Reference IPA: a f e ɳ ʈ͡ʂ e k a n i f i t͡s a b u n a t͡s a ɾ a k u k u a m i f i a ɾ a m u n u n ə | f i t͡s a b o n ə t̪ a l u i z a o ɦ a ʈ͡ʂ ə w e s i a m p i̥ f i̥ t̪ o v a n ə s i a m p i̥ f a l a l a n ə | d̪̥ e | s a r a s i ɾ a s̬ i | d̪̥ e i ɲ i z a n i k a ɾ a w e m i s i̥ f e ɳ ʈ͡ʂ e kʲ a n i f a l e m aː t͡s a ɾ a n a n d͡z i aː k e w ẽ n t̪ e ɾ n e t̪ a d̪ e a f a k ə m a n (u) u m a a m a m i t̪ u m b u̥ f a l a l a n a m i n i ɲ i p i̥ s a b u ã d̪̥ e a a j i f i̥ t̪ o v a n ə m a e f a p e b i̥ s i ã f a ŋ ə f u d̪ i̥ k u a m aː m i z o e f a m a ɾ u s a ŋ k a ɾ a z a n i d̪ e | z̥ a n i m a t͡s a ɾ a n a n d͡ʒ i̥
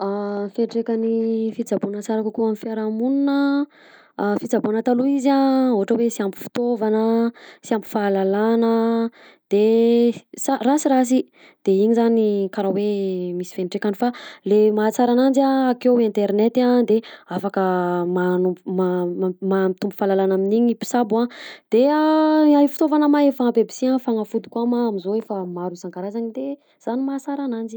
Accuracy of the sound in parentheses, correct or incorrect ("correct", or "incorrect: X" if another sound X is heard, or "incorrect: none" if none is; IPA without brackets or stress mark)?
correct